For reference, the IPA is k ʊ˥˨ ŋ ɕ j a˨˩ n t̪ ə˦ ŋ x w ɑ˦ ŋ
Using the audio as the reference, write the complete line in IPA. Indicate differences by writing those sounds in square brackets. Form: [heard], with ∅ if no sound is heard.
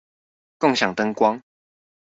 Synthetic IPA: k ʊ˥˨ ŋ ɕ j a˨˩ [ŋ] t̪ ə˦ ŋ [k] w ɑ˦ ŋ